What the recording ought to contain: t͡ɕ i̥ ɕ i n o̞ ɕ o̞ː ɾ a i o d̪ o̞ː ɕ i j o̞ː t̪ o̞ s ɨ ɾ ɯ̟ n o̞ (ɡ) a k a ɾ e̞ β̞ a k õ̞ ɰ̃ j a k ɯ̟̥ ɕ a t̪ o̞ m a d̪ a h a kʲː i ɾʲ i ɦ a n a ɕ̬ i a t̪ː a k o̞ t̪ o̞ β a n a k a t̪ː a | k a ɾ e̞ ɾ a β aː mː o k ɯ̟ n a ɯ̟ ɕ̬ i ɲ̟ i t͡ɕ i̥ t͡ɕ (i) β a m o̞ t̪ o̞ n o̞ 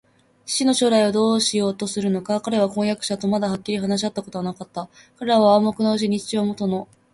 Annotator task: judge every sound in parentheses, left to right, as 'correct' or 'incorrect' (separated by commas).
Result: incorrect, correct